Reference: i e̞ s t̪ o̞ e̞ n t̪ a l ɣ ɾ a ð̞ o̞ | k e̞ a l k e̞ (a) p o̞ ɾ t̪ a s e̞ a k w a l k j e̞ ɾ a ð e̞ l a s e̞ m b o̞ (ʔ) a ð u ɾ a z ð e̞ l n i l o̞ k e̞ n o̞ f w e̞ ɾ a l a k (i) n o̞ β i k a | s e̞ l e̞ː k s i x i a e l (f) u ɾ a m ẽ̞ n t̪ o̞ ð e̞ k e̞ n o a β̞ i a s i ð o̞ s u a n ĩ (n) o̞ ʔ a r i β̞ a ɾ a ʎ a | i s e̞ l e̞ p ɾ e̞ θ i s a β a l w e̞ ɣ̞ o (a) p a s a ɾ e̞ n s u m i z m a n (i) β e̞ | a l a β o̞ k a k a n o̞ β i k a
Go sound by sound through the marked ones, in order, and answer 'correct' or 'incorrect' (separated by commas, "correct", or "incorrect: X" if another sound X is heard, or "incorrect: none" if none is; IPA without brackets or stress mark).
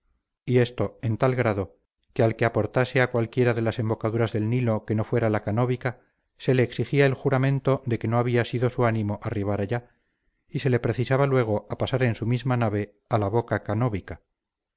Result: correct, incorrect: k, incorrect: a, incorrect: x, incorrect: m, correct, incorrect: a